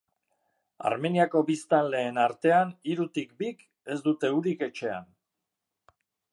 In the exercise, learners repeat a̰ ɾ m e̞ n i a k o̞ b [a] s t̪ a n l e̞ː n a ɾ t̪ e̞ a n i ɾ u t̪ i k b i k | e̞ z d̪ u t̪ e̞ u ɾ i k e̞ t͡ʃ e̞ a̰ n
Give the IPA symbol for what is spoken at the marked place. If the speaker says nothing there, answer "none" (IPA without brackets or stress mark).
i